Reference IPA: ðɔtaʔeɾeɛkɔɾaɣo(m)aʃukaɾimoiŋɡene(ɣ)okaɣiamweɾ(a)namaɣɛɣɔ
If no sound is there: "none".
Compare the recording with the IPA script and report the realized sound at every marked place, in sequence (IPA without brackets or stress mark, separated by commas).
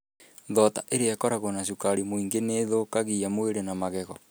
n, ð, e